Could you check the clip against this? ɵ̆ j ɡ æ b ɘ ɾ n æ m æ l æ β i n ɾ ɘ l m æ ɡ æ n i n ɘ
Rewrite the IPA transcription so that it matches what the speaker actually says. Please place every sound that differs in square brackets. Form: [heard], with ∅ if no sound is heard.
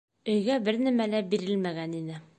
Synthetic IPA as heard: ɵ̆ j ɡ æ b ɘ ɾ n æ m æ l æ [b] i [∅] ɾ ɘ l m æ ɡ æ n i n ɘ